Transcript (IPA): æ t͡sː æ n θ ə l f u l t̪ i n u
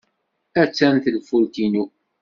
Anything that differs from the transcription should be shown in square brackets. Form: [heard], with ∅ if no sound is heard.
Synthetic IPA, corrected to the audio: æ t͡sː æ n θ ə l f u l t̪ i n u